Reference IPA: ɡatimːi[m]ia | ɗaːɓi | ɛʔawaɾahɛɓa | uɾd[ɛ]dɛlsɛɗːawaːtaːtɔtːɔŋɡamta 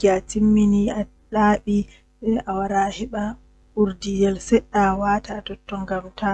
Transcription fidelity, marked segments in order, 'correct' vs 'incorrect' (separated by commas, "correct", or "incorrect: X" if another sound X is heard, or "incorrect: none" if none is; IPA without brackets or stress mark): incorrect: n, incorrect: i